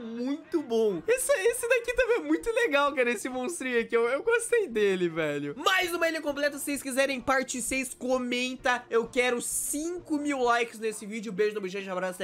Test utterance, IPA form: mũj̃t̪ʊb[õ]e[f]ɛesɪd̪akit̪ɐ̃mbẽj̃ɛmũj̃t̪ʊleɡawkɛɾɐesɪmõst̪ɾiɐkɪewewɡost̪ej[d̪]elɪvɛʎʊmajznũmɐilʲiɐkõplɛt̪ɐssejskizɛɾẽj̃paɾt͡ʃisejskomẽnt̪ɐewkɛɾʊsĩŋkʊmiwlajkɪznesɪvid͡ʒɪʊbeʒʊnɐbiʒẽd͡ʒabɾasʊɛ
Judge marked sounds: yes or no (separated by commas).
yes, no, yes